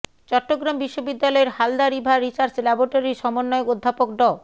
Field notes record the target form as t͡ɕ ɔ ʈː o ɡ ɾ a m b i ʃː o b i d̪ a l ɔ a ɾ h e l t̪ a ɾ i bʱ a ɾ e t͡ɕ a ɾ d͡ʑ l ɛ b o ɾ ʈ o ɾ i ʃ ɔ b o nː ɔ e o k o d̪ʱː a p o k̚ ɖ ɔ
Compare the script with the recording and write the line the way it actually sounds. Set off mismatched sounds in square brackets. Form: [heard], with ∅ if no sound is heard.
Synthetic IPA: t͡ɕ ɔ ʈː o ɡ ɾ a m b i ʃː o b i [d̪ː] a l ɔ [e] ɾ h [a] l [d̪] a ɾ i bʱ a ɾ [i] t͡ɕ a ɾ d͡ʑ l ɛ b o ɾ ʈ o ɾ i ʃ ɔ [m] o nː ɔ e o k o d̪ʱː a p o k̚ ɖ ɔ